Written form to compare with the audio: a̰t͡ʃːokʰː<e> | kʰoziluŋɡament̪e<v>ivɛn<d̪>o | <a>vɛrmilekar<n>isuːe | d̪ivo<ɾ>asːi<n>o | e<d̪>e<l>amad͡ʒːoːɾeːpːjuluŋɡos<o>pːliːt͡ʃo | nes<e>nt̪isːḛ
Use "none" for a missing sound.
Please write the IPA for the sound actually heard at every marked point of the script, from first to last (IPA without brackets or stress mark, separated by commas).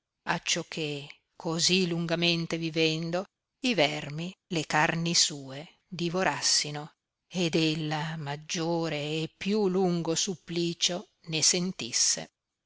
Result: e, v, d̪, i, n, ɾ, n, d̪, lː, u, e